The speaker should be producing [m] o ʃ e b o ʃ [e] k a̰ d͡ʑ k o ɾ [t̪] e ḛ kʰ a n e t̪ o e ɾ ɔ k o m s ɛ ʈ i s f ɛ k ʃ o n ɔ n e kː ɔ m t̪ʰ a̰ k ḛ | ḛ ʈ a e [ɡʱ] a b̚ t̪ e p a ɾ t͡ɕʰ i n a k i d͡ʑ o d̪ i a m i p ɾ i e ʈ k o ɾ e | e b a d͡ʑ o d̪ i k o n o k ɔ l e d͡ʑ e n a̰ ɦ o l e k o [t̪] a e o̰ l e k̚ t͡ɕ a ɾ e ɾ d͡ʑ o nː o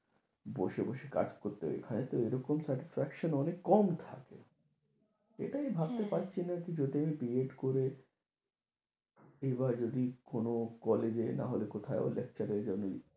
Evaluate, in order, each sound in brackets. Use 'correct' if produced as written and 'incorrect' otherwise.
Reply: incorrect, correct, correct, incorrect, incorrect

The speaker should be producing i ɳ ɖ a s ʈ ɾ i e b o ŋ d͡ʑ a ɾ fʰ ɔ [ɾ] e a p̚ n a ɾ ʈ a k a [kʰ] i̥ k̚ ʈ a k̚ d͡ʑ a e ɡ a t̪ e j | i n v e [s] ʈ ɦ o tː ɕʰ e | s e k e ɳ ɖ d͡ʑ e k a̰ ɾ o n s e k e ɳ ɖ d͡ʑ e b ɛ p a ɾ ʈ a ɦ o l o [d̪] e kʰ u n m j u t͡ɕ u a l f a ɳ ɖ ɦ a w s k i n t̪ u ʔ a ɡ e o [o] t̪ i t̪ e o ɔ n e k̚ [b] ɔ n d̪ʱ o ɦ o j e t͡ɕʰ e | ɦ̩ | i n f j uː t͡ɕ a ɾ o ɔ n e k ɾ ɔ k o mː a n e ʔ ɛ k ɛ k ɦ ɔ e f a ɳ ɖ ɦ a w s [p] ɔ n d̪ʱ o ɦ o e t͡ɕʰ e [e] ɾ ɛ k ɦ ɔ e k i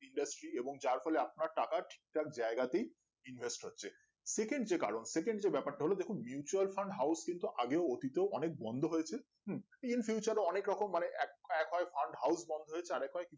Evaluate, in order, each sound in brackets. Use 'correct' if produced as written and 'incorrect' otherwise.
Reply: incorrect, incorrect, correct, correct, correct, correct, incorrect, incorrect

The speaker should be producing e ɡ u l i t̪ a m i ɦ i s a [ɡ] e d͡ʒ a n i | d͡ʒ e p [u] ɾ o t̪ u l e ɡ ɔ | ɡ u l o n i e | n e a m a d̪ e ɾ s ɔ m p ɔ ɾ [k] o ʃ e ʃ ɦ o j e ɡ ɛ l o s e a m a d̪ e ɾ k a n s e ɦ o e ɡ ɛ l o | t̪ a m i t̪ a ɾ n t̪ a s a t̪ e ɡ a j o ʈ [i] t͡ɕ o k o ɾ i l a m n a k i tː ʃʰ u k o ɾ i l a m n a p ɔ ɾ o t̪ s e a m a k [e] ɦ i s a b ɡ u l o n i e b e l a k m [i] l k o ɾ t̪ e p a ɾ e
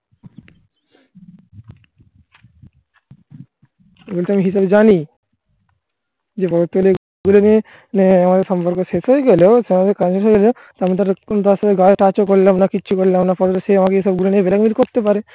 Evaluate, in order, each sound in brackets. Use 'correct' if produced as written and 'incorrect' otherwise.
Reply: incorrect, incorrect, correct, incorrect, correct, correct

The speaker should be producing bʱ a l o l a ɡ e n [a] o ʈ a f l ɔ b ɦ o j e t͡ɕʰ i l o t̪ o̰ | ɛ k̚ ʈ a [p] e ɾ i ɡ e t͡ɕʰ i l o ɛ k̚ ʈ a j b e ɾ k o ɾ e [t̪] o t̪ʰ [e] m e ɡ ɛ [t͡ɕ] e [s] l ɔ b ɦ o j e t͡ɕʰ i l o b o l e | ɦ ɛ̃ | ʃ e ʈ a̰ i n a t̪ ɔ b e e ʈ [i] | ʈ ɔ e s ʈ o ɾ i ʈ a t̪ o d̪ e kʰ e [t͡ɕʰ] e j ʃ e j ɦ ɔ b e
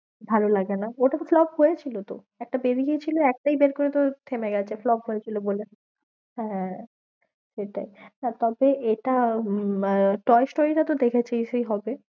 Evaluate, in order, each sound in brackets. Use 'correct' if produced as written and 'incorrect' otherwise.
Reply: correct, incorrect, correct, correct, incorrect, incorrect, incorrect, correct

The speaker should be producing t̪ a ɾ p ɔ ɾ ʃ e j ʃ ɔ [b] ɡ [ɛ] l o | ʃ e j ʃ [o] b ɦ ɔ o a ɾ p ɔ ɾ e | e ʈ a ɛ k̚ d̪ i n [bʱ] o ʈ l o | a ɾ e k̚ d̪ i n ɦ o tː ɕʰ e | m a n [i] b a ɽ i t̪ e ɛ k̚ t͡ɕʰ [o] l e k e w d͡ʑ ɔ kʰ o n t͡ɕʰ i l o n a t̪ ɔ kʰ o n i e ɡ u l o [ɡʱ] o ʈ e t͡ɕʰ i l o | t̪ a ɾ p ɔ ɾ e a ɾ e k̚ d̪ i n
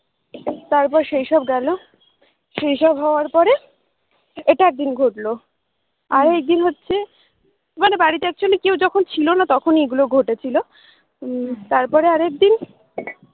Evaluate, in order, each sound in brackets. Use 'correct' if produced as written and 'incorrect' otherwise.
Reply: correct, correct, incorrect, incorrect, incorrect, correct, correct

